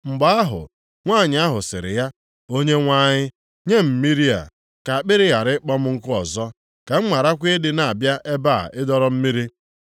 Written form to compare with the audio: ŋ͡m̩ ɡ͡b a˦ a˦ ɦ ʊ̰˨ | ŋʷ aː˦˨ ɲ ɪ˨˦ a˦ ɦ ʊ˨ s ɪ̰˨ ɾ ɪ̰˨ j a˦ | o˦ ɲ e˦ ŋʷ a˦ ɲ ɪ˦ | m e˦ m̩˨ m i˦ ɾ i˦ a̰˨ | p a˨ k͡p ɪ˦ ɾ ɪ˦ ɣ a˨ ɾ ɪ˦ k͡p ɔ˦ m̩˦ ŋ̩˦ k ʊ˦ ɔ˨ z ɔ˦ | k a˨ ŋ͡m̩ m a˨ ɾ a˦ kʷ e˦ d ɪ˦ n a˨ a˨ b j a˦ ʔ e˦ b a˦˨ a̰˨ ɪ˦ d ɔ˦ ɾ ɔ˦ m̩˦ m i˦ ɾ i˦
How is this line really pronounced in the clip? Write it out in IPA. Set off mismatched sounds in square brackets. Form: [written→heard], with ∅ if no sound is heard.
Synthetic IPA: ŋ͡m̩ ɡ͡b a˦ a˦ ɦ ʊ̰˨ | ŋʷ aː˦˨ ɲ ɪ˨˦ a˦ ɦ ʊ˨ s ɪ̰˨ ɾ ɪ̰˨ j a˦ | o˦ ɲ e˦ ŋʷ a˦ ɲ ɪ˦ | [m→ɲ] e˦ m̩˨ m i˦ ɾ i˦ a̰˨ | [p→k] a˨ k͡p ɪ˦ ɾ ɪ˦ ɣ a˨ ɾ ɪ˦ k͡p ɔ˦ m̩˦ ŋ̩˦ k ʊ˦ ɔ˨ z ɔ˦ | k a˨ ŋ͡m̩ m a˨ ɾ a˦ kʷ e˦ d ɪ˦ n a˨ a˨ b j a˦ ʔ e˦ b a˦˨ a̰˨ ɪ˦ d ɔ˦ ɾ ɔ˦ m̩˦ m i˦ ɾ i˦